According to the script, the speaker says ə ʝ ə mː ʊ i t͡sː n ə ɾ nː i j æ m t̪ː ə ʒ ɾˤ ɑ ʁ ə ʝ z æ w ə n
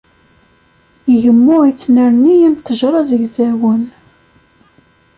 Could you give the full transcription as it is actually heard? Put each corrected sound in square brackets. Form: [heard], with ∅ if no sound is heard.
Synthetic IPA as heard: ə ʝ ə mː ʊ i t͡sː n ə ɾ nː i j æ m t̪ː ə ʒ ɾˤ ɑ [z] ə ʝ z æ w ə n